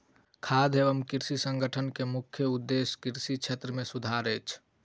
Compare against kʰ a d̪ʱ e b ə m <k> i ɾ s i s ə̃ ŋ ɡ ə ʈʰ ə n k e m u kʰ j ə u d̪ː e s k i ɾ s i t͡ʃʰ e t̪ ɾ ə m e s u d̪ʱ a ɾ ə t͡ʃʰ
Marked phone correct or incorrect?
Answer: correct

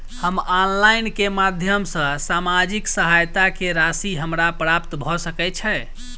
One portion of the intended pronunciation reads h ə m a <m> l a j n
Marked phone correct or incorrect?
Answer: incorrect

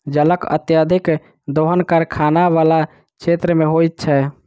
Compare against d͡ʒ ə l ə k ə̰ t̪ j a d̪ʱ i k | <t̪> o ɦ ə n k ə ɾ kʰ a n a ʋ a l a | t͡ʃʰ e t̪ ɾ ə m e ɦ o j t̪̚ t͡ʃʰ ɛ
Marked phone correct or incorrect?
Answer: incorrect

